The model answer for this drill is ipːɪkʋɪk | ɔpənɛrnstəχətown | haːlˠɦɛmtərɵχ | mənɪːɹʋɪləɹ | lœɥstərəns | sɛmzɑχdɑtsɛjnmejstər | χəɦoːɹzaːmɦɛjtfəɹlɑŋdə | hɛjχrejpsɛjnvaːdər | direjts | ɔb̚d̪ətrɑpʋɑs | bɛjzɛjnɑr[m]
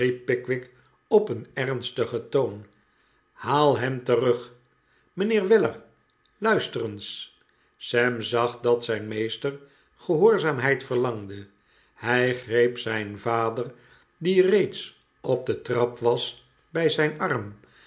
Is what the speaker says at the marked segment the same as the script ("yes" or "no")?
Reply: yes